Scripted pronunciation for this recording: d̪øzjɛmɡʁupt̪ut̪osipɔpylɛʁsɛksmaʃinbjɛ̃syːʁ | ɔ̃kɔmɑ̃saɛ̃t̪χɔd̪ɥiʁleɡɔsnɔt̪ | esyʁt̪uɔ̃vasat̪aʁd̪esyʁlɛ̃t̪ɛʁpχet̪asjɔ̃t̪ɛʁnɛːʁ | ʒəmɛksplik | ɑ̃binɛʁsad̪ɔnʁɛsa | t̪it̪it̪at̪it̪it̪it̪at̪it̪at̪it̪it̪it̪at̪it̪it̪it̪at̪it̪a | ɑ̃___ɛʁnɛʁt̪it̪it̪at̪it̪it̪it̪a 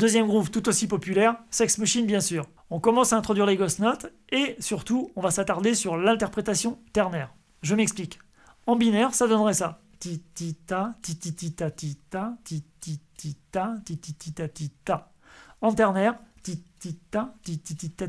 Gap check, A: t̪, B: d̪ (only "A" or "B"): A